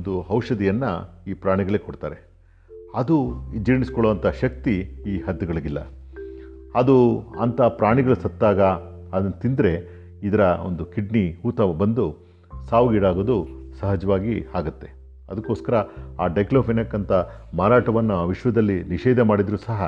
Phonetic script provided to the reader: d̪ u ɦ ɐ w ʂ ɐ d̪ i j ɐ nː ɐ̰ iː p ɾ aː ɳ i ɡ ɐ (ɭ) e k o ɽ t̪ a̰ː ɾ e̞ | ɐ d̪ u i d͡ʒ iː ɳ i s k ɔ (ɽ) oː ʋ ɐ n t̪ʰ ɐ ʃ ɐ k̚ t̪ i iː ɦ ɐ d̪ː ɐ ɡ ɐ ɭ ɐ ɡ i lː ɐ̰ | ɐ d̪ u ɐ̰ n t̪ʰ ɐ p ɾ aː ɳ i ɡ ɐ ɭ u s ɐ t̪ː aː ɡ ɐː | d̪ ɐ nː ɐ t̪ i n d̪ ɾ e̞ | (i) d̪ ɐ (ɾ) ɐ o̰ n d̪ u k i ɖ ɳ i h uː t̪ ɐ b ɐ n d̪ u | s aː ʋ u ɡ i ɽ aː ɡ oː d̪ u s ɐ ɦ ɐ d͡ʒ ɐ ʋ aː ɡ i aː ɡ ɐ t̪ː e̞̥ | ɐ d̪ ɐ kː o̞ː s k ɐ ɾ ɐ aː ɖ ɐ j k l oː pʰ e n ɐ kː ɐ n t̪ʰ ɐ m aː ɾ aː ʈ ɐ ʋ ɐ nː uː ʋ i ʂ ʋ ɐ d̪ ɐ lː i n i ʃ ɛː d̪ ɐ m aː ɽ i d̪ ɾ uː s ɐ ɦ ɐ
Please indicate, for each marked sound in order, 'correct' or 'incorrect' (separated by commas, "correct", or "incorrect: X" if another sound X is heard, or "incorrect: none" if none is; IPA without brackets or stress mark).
correct, incorrect: ɭ, correct, correct